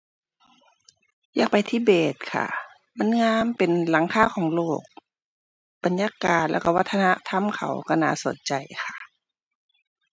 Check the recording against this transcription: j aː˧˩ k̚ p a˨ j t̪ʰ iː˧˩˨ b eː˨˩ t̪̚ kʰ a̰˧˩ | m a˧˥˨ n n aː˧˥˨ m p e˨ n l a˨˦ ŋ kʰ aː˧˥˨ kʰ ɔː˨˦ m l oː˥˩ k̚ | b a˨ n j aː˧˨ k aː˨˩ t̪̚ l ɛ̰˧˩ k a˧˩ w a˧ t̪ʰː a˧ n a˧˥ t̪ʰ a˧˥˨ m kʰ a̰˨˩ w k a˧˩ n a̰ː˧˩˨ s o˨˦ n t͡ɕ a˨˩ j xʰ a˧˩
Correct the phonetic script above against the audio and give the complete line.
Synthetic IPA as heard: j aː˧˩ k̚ p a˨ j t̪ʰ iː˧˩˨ b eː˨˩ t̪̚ kʰ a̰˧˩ | m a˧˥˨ n ŋ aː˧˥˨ m p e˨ n l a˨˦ ŋ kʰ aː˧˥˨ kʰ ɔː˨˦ ŋ l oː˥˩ k̚ | b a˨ n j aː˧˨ k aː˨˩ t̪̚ l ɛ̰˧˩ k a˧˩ w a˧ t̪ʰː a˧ n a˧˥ t̪ʰ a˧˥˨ m kʰ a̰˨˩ w k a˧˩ n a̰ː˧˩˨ s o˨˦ n t͡ɕ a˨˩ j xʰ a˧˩